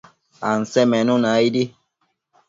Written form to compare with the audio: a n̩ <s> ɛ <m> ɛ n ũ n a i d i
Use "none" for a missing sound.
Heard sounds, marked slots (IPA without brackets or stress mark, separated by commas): s, m